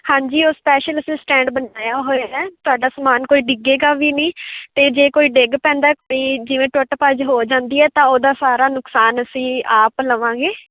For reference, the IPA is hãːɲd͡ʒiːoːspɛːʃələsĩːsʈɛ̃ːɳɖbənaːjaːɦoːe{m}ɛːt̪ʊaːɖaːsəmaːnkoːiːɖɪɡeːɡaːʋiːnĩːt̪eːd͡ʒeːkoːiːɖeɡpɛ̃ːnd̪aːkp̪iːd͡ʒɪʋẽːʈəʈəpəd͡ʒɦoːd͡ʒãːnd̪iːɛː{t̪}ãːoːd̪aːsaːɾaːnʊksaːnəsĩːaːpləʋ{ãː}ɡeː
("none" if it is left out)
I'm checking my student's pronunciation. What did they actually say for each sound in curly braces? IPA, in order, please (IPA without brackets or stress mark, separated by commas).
none, t̪, ãː